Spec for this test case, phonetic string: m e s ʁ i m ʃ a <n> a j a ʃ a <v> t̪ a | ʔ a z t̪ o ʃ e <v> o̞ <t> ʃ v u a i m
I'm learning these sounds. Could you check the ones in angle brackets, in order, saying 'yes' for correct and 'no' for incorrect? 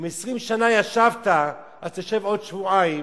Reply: yes, yes, yes, no

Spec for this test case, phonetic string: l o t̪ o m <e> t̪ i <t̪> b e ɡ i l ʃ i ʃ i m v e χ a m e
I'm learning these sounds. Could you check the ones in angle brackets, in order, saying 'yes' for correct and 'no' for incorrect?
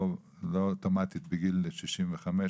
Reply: no, yes

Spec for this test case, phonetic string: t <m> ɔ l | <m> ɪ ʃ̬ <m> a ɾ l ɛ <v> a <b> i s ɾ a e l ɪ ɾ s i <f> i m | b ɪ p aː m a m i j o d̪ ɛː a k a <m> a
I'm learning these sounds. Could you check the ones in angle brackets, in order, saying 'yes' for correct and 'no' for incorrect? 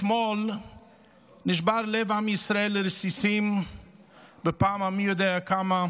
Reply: yes, no, no, yes, no, no, yes

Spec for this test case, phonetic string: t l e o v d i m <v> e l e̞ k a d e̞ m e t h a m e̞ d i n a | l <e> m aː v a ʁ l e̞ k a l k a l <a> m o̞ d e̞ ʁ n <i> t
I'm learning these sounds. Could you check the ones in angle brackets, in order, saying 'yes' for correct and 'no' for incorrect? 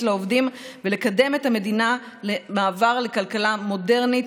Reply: yes, yes, yes, yes

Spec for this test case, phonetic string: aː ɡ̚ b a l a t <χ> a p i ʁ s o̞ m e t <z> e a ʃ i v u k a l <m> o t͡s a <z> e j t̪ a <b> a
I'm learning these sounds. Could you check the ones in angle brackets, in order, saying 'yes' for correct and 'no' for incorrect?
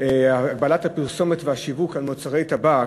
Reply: no, no, yes, no, yes

